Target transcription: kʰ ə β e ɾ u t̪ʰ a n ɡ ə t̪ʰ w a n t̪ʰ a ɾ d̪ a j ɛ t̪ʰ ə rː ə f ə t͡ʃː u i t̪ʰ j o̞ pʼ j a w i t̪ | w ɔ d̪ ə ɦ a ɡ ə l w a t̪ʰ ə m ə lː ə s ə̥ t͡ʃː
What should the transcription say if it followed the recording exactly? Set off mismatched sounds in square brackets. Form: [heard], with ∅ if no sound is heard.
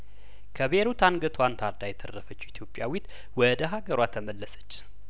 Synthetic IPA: kʰ ə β e ɾ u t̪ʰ a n ɡ ə t̪ʰ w a n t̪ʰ a ɾ d̪ a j ɛ t̪ʰ ə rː ə f ə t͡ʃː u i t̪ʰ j o̞ pʼ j a w i t̪ | w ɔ d̪ ə ɦ a ɡ ə [ɾ] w a t̪ʰ ə m ə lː ə s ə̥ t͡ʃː